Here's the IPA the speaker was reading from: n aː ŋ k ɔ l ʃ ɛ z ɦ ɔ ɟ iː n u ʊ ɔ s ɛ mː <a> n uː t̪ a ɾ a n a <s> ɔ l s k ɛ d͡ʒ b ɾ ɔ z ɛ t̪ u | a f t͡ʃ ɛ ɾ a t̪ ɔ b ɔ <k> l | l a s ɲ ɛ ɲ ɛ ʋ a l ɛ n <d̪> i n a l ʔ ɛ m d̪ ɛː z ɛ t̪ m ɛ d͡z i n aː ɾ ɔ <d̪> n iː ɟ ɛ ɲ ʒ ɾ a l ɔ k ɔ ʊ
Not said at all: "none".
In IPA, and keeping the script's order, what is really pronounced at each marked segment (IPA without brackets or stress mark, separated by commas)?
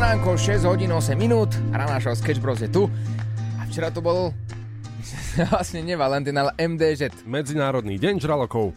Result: i, ʃ, none, t̪, d̪